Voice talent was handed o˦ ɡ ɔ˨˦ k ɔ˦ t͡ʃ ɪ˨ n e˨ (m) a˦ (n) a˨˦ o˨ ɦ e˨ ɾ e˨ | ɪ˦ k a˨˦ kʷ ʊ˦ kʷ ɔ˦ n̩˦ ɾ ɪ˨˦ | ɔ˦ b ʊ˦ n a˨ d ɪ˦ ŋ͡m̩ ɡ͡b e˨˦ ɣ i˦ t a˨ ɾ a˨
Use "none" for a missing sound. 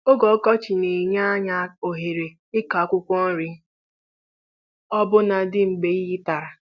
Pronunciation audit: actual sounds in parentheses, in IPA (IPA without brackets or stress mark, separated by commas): ɲ, ɲ